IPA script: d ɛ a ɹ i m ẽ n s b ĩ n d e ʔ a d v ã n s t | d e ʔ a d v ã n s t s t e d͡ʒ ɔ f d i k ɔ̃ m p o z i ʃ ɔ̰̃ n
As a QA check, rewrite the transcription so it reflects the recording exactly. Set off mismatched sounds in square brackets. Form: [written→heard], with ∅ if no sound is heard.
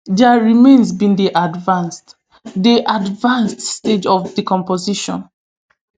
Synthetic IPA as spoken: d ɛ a ɹ i m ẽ n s b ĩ n d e ʔ a d v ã n s t | d e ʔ a d v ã n s t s t e d͡ʒ ɔ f d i k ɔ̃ m p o z i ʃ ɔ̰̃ n